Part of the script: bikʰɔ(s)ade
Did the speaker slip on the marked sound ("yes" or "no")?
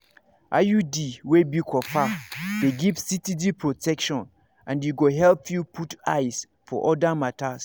yes